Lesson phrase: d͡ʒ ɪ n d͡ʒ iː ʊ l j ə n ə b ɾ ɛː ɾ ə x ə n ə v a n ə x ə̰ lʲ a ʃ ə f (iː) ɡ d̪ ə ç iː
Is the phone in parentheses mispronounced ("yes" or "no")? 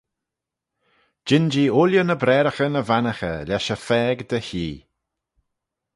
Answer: yes